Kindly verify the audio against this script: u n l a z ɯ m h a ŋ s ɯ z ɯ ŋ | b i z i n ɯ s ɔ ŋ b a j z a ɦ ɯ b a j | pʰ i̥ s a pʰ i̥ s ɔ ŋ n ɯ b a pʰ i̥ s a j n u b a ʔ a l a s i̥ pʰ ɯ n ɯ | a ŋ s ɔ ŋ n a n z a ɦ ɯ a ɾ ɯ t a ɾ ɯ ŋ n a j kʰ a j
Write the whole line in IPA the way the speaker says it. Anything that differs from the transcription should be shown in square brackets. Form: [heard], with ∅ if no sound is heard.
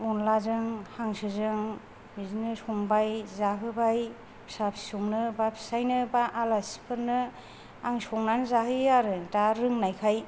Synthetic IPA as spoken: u n l a z ɯ [ŋ] h a ŋ s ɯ z ɯ ŋ | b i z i n ɯ s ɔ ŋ b a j z a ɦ ɯ b a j | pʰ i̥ s a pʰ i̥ s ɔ ŋ n ɯ b a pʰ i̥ s a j n [ɯ] b a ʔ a l a s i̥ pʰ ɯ n ɯ | a ŋ s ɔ ŋ n a n z a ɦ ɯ a ɾ ɯ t a ɾ ɯ ŋ n a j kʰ a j